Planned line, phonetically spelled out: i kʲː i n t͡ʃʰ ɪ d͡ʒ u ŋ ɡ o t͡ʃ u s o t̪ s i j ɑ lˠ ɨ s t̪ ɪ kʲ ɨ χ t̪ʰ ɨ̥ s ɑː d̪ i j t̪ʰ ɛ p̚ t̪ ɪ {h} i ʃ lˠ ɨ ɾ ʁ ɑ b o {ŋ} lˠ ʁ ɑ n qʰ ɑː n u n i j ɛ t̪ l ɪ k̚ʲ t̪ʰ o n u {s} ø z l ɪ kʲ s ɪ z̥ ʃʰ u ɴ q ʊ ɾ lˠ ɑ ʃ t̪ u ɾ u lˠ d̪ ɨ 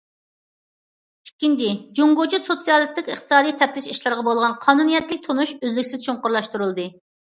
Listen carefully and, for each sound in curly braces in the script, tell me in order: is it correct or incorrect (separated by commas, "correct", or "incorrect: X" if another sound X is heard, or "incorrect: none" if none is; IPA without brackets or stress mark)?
incorrect: ʃ, incorrect: none, incorrect: ʃ